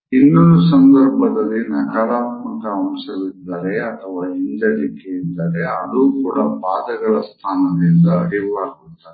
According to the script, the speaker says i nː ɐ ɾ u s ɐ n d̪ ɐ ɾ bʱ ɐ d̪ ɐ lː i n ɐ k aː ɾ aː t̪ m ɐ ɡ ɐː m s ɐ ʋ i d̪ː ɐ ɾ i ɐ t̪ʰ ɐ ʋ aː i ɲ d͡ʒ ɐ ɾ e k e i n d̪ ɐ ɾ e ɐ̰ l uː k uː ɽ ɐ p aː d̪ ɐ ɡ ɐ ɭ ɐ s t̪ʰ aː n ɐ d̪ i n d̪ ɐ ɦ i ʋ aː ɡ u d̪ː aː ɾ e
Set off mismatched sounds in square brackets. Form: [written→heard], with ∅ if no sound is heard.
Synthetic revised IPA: i nː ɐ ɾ u s ɐ n d̪ ɐ ɾ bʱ ɐ d̪ ɐ lː i n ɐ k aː ɾ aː t̪ m ɐ [ɡ→k] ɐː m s ɐ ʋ i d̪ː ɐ ɾ [i→e] ɐ t̪ʰ ɐ ʋ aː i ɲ d͡ʒ ɐ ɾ [e→i] k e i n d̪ ɐ ɾ e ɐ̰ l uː k uː ɽ ɐ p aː d̪ ɐ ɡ ɐ ɭ ɐ s t̪ʰ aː n ɐ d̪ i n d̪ ɐ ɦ i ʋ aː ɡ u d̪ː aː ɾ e